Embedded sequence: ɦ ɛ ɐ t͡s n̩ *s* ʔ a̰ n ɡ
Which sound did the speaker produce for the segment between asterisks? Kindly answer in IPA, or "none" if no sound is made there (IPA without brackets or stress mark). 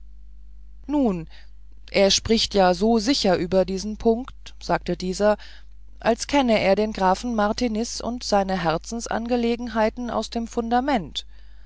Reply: s